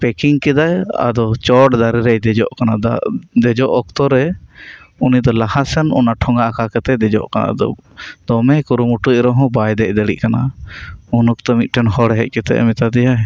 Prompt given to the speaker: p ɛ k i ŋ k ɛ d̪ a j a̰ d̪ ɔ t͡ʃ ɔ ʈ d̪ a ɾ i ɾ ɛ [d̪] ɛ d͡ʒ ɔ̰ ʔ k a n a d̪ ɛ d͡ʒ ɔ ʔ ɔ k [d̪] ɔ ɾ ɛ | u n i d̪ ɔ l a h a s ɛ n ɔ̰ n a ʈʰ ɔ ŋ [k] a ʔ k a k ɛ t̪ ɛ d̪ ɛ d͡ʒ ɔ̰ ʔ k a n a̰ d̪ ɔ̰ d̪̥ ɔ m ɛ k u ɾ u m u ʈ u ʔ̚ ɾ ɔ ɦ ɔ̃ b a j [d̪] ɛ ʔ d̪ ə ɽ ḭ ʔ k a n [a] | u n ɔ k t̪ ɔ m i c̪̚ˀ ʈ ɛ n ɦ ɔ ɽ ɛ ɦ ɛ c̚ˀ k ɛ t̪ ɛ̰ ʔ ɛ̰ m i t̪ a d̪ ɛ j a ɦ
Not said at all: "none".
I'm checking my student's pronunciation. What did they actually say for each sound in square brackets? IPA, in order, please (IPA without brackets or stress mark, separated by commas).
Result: d̪, t̪, ɡ, d̪, a